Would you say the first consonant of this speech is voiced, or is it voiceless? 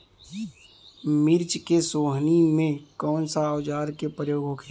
voiced